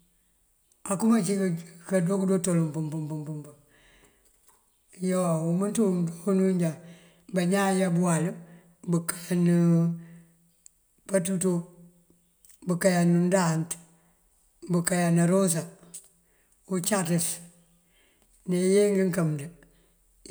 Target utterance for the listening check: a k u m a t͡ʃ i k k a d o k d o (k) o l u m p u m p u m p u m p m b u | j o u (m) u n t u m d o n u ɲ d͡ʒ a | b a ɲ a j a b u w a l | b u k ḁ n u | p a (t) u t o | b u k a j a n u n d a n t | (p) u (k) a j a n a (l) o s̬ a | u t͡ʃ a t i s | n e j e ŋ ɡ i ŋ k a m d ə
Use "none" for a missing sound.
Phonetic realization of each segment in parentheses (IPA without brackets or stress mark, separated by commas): t, m, t, b, k, ɾ